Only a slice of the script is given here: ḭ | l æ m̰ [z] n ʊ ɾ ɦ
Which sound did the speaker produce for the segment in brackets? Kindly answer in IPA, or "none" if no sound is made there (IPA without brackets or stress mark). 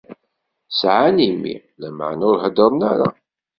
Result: ʕ